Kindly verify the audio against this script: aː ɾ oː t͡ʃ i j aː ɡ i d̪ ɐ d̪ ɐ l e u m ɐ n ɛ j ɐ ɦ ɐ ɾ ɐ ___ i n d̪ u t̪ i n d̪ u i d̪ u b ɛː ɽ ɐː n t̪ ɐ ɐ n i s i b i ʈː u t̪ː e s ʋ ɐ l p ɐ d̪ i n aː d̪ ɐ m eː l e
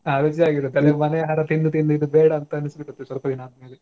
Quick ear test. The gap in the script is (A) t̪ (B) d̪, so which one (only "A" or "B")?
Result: A